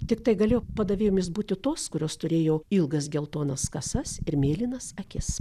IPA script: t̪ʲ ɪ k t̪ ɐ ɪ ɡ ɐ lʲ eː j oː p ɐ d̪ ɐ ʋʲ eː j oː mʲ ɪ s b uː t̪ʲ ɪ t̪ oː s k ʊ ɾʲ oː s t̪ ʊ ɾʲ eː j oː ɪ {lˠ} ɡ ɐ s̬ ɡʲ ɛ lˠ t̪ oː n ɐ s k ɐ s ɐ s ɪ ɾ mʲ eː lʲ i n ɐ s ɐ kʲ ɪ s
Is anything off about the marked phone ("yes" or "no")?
no